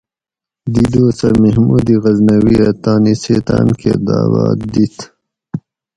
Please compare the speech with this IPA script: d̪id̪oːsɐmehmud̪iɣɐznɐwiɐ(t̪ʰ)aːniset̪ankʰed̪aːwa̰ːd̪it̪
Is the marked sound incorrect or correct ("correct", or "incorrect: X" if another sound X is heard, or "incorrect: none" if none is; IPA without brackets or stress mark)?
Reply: incorrect: t̪